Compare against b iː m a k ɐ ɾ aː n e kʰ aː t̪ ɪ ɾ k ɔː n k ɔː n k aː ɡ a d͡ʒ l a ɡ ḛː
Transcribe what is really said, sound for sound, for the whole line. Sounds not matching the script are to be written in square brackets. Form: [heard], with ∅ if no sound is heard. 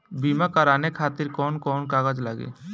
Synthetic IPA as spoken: b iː m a k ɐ ɾ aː n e kʰ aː t̪ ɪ ɾ k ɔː n k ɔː n k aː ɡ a d͡ʒ l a ɡ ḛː